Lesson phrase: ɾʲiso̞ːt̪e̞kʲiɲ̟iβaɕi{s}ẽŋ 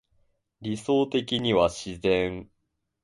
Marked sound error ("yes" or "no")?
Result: yes